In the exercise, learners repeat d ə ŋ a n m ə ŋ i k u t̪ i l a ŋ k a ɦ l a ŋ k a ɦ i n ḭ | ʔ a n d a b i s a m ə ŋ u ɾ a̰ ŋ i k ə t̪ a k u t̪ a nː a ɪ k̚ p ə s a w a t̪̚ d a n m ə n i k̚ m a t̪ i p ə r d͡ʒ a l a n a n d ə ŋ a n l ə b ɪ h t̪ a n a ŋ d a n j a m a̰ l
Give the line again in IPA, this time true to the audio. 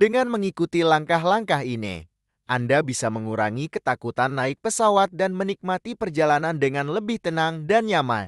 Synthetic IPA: d ə ŋ a n m ə ŋ i k u t̪ i l a ŋ k a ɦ l a ŋ k a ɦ i n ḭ | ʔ a n d a b i s a m ə ŋ u ɾ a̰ ŋ i k ə t̪ a k u t̪ a nː a ɪ k̚ p ə s a w a t̪̚ d a n m ə n i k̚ m a t̪ i p ə r d͡ʒ a l a n a n d ə ŋ a n l ə b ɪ h t̪ ə n a ŋ d a n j a m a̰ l